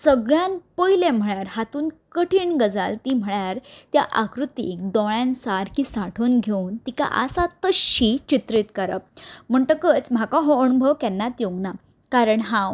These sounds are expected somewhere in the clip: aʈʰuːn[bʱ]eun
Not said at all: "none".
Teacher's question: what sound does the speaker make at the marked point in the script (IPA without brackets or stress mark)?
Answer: ɡʱ